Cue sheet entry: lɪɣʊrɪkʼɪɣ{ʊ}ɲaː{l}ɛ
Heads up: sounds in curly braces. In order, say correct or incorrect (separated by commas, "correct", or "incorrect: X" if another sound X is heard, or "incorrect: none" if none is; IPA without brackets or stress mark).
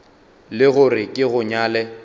correct, correct